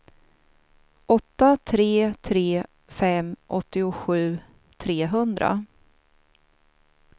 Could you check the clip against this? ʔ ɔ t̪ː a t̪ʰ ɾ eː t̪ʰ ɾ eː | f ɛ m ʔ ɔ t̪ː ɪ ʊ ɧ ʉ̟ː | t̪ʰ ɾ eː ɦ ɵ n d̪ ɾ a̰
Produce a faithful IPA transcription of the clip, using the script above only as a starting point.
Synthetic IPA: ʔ ɔ t̪ː a t̪ʰ ɾ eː t̪ʰ ɾ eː | f ɛ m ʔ ɔ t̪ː ɪ ʊ ɧ ʉ̟ː | t̪ʰ ɾ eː ɦ ɵ n d̪ ɾ a̰